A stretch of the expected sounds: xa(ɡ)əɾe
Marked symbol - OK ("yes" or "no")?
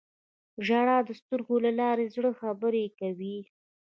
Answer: no